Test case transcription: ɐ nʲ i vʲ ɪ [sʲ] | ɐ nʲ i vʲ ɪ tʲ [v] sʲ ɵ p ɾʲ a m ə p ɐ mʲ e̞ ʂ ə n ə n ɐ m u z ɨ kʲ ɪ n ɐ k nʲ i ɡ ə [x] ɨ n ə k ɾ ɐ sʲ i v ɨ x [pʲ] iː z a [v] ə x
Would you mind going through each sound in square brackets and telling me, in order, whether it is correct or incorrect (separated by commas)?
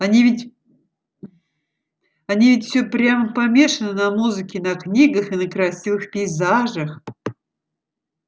incorrect, incorrect, correct, correct, incorrect